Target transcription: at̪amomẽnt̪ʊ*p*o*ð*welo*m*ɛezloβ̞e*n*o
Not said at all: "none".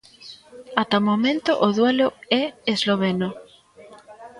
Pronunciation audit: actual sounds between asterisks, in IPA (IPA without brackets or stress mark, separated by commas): ʔ, ð, none, n